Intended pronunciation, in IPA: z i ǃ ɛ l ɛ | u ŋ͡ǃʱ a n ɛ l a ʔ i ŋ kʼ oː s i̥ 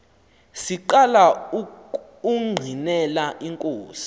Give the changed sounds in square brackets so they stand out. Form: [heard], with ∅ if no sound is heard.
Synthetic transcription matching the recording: [s] i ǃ [a] l [a] | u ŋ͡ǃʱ [i] n ɛ l a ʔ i ŋ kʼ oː s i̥